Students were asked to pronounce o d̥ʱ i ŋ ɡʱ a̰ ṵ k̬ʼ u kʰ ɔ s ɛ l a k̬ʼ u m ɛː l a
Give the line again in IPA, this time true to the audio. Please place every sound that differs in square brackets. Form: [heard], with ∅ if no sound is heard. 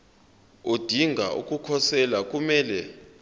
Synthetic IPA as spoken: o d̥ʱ i ŋ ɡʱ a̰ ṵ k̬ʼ u kʰ ɔ s ɛ l a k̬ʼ u m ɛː l [ɛ]